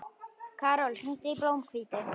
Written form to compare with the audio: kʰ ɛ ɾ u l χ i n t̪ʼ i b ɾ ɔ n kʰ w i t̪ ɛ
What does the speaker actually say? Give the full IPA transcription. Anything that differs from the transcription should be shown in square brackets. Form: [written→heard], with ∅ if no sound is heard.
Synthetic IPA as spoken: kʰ [ɛ→a] ɾ [u→ɔ] l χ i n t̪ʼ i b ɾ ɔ [n→m] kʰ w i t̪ ɛ